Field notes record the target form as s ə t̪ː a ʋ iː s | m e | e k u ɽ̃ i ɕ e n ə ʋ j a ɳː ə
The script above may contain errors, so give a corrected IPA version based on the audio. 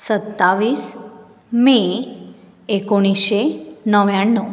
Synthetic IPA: s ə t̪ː a ʋ iː s | m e | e k o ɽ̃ i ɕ e n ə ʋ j a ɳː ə